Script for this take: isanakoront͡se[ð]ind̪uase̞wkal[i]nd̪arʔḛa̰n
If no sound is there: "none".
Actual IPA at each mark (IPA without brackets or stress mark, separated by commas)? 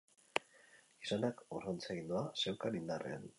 ɣ, i